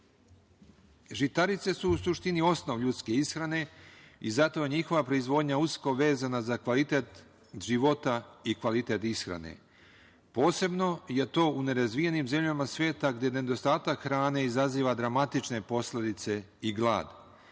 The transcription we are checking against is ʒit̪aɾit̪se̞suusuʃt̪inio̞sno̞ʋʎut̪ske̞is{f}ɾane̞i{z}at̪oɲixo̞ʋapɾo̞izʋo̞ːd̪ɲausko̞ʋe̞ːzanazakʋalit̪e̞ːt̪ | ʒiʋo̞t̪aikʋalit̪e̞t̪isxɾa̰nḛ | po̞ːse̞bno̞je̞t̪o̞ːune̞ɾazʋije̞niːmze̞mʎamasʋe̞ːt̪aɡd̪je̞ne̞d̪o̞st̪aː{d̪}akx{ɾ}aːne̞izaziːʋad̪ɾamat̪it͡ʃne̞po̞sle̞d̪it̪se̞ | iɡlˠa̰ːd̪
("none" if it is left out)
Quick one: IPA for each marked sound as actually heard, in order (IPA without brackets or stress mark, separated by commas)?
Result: x, z, t̪, ɾ